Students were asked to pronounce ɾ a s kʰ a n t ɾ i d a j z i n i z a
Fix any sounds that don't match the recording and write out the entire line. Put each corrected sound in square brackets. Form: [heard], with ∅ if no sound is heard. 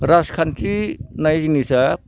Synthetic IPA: ɾ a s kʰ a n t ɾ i [n] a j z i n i [s] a